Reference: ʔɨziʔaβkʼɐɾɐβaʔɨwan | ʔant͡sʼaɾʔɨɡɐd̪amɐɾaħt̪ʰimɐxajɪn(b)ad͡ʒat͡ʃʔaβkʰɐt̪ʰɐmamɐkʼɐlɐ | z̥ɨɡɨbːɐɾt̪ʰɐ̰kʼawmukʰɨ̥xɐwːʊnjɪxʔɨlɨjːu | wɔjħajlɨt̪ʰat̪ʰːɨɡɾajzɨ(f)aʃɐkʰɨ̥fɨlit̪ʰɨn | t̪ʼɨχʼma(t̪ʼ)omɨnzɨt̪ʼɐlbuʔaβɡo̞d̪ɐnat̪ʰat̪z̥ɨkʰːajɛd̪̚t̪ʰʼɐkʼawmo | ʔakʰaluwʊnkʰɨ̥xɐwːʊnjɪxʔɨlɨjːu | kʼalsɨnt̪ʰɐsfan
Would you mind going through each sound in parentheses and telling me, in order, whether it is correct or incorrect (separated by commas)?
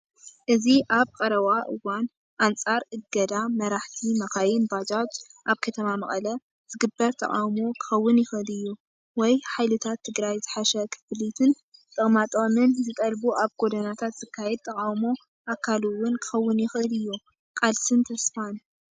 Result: correct, incorrect, correct